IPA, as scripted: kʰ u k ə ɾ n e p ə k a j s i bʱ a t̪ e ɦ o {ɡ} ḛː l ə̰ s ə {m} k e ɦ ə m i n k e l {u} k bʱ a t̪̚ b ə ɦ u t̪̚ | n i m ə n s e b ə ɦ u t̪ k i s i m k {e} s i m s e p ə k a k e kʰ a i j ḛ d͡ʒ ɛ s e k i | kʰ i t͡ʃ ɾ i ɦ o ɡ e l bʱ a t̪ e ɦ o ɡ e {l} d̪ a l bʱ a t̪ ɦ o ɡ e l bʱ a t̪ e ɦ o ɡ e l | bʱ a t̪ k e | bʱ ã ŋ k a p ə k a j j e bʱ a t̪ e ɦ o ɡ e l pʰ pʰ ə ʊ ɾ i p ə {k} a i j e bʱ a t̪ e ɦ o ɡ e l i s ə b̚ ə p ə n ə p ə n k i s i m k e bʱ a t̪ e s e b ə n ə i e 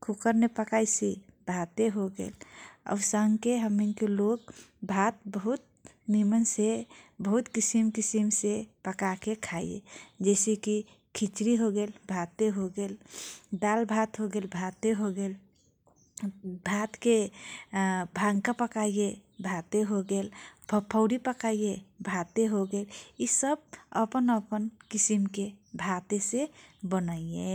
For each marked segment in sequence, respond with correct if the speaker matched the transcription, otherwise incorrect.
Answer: correct, incorrect: ŋ, incorrect: o, incorrect: i, correct, correct

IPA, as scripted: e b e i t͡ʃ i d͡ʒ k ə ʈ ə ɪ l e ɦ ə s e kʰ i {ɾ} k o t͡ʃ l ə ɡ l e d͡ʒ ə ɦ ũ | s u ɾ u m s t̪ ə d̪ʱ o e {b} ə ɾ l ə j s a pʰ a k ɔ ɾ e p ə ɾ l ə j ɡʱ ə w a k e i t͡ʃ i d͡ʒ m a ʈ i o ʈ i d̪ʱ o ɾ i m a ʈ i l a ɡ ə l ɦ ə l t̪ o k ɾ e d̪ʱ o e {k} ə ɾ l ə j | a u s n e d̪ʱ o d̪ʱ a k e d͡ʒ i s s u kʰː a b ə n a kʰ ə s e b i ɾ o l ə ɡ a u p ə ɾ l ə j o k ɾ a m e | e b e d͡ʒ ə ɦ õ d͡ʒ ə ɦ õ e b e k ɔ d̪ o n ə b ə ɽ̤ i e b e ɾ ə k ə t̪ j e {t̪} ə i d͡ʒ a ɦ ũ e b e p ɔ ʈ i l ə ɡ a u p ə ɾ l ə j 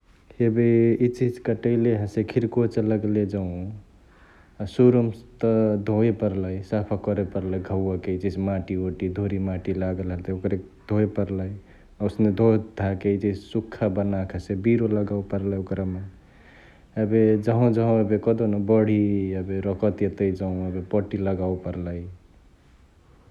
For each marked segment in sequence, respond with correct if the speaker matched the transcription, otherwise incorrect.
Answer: correct, incorrect: p, incorrect: p, correct

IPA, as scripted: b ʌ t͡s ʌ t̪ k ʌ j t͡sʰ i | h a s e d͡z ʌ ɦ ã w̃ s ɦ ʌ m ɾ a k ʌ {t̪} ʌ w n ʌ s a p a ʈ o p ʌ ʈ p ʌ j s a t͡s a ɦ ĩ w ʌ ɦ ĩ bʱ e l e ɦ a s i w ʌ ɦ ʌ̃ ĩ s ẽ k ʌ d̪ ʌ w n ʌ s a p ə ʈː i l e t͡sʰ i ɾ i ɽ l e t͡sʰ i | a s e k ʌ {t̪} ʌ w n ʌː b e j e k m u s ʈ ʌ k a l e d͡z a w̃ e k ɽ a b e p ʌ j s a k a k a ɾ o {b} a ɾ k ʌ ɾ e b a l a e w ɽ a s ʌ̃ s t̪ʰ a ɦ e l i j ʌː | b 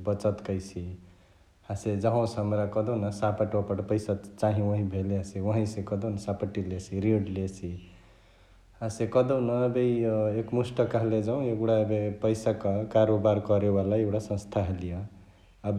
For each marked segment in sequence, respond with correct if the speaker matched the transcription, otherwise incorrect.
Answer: incorrect: d̪, incorrect: d̪, correct

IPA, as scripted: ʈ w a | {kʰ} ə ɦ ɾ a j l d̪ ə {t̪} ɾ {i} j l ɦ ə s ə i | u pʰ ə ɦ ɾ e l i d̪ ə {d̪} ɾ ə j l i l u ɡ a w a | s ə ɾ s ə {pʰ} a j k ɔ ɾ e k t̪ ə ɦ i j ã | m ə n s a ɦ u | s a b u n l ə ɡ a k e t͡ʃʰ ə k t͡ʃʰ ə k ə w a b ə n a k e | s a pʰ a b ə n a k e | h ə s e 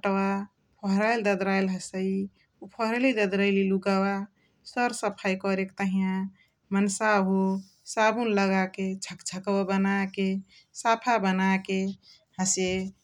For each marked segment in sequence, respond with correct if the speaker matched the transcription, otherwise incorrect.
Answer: incorrect: pʰ, incorrect: d̪, incorrect: a, correct, correct

